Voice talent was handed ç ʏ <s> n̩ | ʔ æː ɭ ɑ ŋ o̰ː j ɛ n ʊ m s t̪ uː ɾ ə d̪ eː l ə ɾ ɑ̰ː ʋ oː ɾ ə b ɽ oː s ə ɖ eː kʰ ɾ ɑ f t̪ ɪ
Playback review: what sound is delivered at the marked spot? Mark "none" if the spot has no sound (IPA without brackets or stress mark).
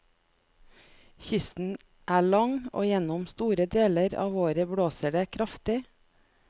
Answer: s